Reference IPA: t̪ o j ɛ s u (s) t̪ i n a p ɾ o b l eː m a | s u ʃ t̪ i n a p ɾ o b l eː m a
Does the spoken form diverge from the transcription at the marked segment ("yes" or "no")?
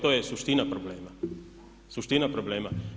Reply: yes